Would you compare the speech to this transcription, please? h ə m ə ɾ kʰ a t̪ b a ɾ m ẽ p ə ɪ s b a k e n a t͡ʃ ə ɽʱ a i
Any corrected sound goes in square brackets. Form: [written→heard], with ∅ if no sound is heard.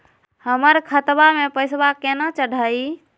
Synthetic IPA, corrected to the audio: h ə m ə ɾ kʰ [a→ə] t̪ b a [ɾ→∅] m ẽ p ə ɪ s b a k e n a t͡ʃ ə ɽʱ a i